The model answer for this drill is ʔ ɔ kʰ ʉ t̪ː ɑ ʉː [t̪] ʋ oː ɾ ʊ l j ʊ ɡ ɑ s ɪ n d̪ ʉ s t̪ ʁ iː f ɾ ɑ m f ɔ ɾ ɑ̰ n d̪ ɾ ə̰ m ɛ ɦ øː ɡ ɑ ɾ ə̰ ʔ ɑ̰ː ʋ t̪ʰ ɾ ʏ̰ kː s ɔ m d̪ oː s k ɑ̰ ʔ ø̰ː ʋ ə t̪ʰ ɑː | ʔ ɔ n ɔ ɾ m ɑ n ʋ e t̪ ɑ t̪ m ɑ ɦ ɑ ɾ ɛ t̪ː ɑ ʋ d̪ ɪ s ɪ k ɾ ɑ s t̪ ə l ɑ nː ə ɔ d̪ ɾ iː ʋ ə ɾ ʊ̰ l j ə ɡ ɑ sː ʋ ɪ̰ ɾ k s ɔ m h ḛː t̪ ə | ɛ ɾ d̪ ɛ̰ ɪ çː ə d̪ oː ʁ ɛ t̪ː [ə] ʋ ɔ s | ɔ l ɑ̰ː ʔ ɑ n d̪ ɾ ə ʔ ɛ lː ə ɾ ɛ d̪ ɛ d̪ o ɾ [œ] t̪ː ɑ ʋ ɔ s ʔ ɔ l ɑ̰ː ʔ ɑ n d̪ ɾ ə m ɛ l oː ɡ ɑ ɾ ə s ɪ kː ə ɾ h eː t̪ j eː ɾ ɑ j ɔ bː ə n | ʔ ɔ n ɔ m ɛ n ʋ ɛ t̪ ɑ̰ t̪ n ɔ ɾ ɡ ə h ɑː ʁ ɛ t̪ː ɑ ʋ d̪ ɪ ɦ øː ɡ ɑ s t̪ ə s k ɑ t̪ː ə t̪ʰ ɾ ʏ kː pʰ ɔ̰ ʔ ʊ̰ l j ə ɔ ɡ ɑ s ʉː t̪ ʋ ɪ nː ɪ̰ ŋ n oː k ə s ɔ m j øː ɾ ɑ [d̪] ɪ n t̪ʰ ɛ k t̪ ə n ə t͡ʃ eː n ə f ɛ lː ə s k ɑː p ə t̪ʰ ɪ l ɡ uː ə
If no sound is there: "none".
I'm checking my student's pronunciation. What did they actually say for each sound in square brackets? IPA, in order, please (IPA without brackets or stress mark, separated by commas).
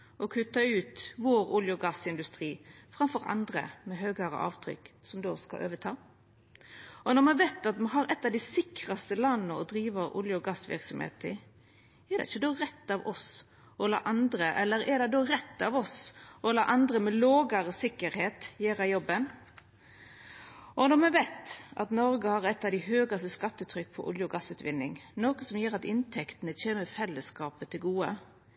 t̪, ɑ, ɛ, t̪